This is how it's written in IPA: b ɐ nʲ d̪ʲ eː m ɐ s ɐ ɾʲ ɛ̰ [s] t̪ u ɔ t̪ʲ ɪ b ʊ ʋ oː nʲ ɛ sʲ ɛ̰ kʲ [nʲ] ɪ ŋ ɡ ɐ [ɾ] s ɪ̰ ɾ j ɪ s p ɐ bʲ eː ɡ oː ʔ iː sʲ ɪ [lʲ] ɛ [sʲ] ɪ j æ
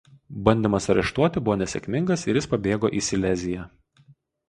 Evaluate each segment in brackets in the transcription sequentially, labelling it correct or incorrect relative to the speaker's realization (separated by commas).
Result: incorrect, incorrect, incorrect, correct, incorrect